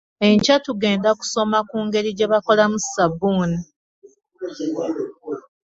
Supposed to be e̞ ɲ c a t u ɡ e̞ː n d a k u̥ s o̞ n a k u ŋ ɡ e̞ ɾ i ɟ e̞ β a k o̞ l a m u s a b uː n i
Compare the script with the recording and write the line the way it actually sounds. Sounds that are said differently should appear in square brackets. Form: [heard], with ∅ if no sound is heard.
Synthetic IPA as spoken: e̞ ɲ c a t u ɡ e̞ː n d a k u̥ s o̞ [m] a k [uː] ŋ ɡ e̞ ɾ i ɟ e̞ β a k o̞ l a m u s a b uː n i

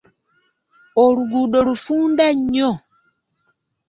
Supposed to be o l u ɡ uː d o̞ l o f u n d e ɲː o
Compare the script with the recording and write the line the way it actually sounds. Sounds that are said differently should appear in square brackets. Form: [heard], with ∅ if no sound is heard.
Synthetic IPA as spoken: o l u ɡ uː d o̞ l [u] f [uː] n d [a] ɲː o

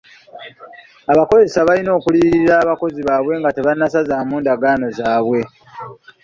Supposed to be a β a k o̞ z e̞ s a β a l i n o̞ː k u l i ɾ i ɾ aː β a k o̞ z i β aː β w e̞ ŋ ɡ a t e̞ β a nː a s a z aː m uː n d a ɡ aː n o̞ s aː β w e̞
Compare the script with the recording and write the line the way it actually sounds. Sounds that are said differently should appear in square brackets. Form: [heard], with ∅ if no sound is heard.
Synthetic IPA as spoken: a β a k o̞ z e̞ s a β a l i n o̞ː k u l i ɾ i ɾ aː β a k o̞ z i β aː β w e̞ ŋ ɡ a t e̞ β a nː a s a z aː m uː n d a ɡ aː n o̞ [z] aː β w e̞

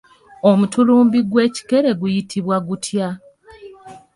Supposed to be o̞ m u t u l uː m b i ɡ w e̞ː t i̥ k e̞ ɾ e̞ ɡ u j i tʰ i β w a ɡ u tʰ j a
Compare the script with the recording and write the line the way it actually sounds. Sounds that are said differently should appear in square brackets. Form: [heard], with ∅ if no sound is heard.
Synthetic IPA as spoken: o̞ m u t u l uː m b i ɡ w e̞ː [c] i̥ k e̞ ɾ e̞ ɡ u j i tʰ i β w a ɡ u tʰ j a

